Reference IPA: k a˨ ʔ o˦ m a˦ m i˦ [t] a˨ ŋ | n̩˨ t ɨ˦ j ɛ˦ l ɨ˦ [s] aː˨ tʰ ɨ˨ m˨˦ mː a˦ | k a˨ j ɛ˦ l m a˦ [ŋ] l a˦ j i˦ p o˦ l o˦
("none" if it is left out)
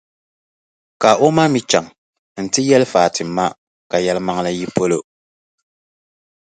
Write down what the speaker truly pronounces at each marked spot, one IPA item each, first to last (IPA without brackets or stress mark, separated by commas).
t͡ʃ, f, ŋ